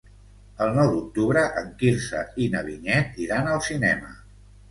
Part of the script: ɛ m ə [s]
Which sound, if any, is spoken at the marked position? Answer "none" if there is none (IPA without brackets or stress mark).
none